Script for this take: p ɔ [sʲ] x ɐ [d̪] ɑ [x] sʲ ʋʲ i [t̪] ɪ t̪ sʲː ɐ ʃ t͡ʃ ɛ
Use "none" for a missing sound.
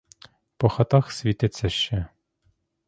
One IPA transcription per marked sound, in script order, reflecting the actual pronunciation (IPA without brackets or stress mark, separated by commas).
none, t̪, x, t̪